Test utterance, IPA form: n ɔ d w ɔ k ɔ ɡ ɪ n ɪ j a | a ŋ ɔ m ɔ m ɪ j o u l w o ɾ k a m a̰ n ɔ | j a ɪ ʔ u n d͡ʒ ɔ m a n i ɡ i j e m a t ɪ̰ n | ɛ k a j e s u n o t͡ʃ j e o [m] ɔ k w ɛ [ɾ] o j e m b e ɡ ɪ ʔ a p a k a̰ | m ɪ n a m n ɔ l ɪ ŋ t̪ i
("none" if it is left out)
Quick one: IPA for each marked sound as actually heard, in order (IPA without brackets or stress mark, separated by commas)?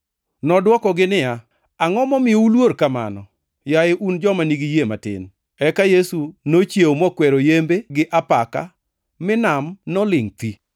m, ɾ